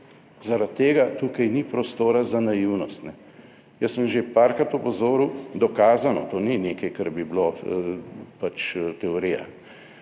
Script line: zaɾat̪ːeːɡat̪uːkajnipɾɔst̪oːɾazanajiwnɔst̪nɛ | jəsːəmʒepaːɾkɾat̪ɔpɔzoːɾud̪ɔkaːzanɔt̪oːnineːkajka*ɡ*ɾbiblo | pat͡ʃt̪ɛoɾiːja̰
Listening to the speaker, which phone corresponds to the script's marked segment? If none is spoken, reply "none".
none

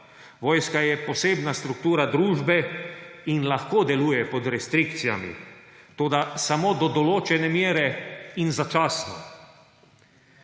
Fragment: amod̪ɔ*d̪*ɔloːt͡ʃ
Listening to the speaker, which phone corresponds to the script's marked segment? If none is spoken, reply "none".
d̪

